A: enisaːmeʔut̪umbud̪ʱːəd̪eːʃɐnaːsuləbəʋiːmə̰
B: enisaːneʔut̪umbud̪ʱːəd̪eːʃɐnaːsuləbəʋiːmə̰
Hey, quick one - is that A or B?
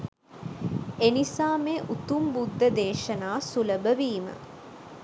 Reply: A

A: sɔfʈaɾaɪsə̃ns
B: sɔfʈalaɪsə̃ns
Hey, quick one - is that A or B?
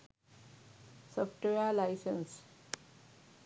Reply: B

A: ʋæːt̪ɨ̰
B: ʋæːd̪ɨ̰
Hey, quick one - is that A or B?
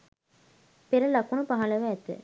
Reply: A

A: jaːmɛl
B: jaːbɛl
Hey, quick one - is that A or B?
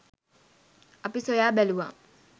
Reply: B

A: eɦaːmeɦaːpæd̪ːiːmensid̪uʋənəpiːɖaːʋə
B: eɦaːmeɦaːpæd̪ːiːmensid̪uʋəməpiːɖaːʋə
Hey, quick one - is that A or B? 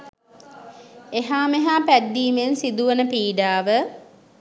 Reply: A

